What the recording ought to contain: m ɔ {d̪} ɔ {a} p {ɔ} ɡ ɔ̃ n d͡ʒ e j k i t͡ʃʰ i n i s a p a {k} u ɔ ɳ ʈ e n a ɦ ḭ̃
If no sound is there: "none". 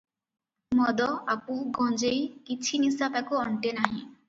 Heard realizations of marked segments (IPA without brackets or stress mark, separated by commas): d̪, a, u, k